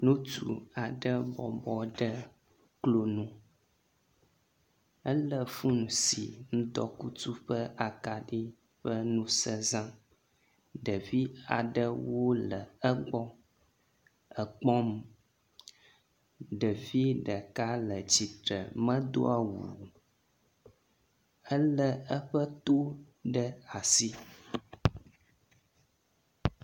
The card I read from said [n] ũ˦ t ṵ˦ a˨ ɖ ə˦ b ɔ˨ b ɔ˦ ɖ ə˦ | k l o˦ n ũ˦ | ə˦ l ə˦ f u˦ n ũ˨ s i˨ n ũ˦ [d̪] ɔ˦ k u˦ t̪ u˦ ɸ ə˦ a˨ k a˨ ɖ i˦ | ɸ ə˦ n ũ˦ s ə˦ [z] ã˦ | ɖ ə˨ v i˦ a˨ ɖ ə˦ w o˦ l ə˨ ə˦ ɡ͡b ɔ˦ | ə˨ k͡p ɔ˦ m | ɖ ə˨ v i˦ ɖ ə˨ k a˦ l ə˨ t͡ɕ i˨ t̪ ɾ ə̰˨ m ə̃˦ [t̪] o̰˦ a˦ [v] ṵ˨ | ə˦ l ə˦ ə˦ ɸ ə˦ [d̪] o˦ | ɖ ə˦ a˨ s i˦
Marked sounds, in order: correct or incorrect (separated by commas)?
correct, correct, correct, incorrect, incorrect, incorrect